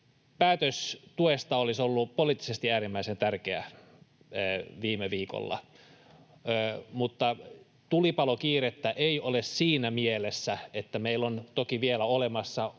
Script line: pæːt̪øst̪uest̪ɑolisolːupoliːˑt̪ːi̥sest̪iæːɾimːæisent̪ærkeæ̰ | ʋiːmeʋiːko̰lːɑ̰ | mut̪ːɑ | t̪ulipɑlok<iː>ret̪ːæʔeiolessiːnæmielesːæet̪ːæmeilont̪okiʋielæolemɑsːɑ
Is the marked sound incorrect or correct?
correct